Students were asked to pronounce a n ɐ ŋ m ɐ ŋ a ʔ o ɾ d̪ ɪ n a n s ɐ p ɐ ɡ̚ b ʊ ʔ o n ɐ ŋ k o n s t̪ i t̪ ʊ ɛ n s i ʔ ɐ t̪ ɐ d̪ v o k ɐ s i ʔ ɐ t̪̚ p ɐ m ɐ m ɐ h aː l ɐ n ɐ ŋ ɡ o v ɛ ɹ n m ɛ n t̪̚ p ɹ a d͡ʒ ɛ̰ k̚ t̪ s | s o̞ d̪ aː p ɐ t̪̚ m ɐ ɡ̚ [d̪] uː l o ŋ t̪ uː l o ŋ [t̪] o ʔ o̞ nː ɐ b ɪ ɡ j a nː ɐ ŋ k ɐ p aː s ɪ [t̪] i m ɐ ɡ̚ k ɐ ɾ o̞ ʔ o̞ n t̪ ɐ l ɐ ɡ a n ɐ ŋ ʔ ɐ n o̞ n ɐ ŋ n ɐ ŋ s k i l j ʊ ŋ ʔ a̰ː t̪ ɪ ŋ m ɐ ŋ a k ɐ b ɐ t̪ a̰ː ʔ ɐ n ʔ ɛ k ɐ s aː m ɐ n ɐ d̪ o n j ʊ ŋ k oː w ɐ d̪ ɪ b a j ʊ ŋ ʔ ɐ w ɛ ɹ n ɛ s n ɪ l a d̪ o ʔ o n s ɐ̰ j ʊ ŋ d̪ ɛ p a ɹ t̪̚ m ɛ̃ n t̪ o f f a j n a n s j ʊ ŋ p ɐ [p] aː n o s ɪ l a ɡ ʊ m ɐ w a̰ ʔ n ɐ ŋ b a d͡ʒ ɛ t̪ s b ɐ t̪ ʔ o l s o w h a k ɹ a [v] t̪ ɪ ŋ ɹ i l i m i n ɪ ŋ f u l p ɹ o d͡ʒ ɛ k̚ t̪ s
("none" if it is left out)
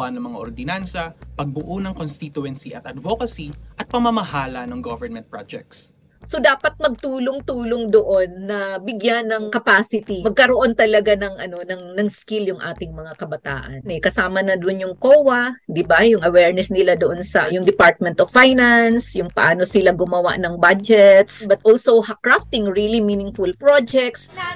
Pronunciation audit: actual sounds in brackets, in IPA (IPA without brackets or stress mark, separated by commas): t̪, d̪, t̪, ʔ, f